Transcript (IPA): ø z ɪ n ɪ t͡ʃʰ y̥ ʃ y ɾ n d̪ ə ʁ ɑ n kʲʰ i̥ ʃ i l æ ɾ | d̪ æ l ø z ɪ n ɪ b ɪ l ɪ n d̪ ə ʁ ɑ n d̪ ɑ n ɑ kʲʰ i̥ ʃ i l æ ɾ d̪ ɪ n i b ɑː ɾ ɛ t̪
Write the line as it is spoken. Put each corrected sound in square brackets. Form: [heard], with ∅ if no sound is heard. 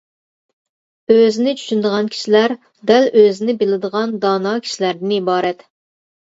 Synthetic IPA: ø z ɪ n ɪ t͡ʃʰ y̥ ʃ y [∅] n d̪ ə ʁ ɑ n kʲʰ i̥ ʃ i l æ ɾ | d̪ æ l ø z ɪ n ɪ b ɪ l ɪ [∅] d̪ ə ʁ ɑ n d̪ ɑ n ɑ kʲʰ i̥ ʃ i l æ ɾ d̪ ɪ n i b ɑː ɾ ɛ t̪